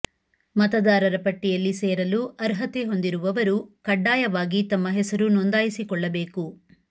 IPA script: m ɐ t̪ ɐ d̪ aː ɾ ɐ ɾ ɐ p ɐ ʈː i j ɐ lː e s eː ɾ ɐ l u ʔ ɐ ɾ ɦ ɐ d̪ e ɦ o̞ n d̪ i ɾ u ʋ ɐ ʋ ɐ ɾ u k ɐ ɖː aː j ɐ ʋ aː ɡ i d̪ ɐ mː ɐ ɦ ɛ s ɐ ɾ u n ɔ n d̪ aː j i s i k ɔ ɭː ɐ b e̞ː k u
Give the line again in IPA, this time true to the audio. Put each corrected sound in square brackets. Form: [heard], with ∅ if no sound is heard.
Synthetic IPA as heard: m ɐ t̪ ɐ d̪ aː ɾ ɐ ɾ ɐ p ɐ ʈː i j ɐ lː [i] s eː ɾ ɐ l u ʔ ɐ ɾ ɦ ɐ [t̪] e ɦ o̞ n d̪ i ɾ u ʋ ɐ ʋ ɐ ɾ u k ɐ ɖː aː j ɐ ʋ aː ɡ i [t̪] ɐ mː ɐ ɦ ɛ s ɐ ɾ u n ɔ n d̪ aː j i s i k ɔ ɭː ɐ b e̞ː k u